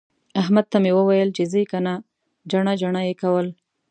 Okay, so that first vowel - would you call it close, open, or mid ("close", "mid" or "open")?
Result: open